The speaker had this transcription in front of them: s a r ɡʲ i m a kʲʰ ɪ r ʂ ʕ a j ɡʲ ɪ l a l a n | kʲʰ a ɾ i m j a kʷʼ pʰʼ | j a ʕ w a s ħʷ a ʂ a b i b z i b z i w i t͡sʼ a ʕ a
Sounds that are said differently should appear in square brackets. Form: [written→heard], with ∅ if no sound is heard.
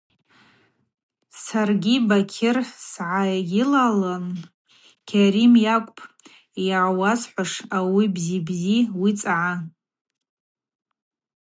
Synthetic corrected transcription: s a r ɡʲ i [m→b] a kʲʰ ɪ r [ʂ→s] ʕ a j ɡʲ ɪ l a l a n | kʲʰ a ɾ i m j a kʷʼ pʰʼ | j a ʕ w a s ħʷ a ʂ a [b→w] i b z i b z i w i t͡sʼ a ʕ a